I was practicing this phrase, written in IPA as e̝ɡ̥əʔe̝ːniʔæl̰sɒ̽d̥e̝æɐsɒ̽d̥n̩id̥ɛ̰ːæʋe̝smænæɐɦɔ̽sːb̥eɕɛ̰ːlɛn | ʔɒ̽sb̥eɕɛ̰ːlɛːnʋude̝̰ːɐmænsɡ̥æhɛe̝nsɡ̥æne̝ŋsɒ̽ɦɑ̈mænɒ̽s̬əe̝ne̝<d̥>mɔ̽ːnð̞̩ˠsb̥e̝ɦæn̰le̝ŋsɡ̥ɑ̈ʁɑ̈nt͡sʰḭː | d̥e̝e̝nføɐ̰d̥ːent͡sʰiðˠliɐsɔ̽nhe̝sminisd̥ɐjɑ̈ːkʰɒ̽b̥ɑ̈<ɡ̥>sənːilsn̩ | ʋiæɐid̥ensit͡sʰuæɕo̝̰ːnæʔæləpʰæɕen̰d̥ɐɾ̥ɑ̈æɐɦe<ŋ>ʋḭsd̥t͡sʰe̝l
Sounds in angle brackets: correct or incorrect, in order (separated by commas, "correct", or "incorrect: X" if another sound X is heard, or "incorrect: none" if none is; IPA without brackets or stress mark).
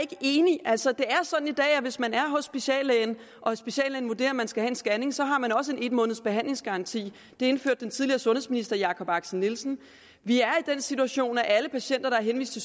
correct, correct, incorrect: n